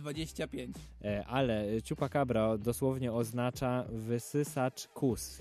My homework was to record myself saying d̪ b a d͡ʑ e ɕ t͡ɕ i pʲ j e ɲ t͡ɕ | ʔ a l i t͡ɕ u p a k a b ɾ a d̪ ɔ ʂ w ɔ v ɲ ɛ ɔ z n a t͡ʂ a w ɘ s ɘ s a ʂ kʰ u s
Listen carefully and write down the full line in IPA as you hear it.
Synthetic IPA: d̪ v a d͡ʑ e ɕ t͡ɕ a pʲ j e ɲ t͡ɕ | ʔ a l ɛ t͡ɕ u p a k a b ɾ a d̪ ɔ s w ɔ v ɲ ɛ ɔ z n a t͡ʂ a v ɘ s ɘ s a t͡ʂ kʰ u s